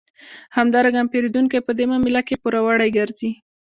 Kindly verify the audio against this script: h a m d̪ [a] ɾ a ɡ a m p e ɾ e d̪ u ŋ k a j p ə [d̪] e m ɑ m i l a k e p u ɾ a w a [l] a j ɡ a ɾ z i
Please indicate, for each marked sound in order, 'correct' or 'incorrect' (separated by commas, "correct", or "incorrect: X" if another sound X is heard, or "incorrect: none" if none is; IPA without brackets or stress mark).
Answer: incorrect: ɑ, correct, incorrect: ɽ